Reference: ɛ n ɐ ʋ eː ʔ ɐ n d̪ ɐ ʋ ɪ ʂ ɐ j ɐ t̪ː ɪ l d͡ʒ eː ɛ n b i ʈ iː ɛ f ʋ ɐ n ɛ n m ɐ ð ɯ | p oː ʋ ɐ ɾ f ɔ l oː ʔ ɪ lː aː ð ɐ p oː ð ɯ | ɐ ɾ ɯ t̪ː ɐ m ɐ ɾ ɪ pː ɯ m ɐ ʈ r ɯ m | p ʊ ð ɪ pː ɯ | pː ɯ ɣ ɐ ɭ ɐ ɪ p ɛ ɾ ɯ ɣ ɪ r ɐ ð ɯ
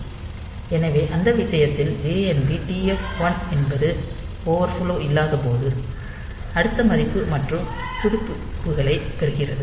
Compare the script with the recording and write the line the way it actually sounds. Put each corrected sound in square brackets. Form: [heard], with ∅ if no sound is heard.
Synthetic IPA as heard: ɛ n ɐ ʋ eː ʔ ɐ n d̪ ɐ ʋ ɪ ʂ ɐ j ɐ t̪ː ɪ l d͡ʒ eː ɛ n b i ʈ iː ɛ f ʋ ɐ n ɛ n [b] ɐ ð ɯ | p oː ʋ ɐ ɾ f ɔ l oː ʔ ɪ lː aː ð ɐ p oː ð ɯ | ɐ [ɽ] ɯ t̪ː ɐ m ɐ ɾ ɪ pː ɯ m ɐ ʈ r ɯ m | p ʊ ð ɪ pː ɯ | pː ɯ ɣ ɐ ɭ ɐ ɪ p ɛ ɾ ɯ ɣ ɪ r ɐ ð ɯ